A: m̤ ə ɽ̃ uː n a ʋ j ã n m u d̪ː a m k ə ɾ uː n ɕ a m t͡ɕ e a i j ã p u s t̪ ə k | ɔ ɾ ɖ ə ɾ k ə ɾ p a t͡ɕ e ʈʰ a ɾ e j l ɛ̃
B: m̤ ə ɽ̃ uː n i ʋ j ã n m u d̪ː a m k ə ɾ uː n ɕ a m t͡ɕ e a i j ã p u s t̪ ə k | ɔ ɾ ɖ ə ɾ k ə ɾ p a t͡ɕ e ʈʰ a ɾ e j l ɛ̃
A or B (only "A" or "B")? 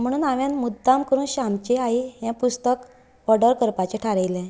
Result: A